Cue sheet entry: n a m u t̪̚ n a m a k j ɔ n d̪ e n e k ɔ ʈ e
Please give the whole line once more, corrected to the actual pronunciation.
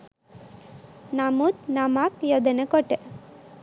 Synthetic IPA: n a m u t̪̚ n a m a k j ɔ d̪ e n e k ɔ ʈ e